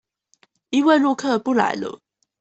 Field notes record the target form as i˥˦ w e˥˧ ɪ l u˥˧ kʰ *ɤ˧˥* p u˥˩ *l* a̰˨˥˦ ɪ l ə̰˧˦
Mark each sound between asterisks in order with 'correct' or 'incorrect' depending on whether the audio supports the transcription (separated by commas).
incorrect, correct